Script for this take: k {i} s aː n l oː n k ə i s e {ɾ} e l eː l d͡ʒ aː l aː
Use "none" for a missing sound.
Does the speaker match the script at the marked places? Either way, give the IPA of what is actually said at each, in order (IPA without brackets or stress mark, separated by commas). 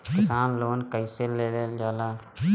ɪ, l